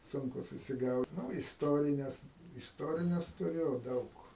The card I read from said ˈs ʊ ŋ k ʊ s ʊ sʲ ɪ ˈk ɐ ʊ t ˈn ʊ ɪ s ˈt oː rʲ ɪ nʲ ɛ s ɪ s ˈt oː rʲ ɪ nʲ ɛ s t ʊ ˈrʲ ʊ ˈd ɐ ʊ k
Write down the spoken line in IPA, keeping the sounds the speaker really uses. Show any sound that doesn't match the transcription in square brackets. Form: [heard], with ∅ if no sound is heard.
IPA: ˈs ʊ ŋ k ʊ s ʊ sʲ ɪ [ˈɡ] ɐ ʊ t ˈn ʊ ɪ s ˈt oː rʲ ɪ nʲ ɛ s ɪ s ˈt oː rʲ ɪ nʲ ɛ s t ʊ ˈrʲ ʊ ˈd ɐ ʊ k